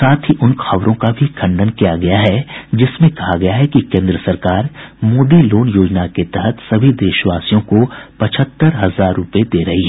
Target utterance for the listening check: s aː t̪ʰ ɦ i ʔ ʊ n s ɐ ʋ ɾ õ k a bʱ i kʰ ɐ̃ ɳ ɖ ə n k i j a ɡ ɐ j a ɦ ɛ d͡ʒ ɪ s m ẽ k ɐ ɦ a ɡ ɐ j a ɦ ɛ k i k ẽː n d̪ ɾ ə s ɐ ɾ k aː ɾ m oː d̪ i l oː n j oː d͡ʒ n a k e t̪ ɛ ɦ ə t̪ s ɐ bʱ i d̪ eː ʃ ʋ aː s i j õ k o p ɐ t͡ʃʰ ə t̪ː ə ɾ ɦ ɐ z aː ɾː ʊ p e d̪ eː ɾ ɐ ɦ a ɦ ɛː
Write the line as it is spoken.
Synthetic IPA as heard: s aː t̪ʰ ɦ i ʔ ʊ n x ɐ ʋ ɾ õ k a bʱ i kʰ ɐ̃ ɳ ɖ ə n k i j a ɡ ɐ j a ɦ ɛ d͡ʒ ɪ s m ẽ k ɐ ɦ a ɡ ɐ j a ɦ ɛ k i k ẽː n d̪ ɾ ə s ɐ ɾ k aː ɾ m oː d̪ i l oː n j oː d͡ʒ n a k e t̪ ɛ ɦ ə t̪ s ɐ bʱ i d̪ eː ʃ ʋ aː s i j õ k o p ɐ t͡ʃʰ ə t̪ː ə ɾ ɦ ɐ z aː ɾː ʊ p e d̪ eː ɾ ɐ ɦ i ɦ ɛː

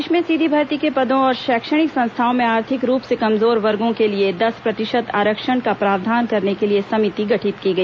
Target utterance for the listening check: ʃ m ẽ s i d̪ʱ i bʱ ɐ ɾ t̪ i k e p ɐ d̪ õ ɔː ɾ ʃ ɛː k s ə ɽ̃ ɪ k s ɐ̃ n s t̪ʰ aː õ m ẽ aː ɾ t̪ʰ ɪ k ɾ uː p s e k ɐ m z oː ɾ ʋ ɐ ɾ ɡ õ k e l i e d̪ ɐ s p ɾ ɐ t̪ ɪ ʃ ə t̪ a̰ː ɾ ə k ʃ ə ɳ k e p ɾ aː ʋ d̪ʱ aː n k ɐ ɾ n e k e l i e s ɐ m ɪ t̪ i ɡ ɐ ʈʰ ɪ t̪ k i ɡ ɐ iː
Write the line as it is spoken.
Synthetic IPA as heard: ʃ m ẽ s i d̪ʱ i bʱ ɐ ɾ t̪ i k e p ɐ d̪ õ ɔː ɾ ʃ ɛː k ʃ ə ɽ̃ ɪ k s ɐ̃ n s t̪ʰ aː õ m ẽ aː ɾ t̪ʰ ɪ k ɾ uː p s e k ɐ m z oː ɾ ʋ ɐ ɾ ɡ õ k e l i e d̪ ɐ s p ɾ ɐ t̪ ɪ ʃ ə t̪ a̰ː ɾ ə k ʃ ə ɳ k a p ɾ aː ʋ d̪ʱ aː n k ɐ ɾ n e k e l i e s ɐ m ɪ t̪ i ɡ ɐ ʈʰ ɪ t̪ k i ɡ ɐ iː

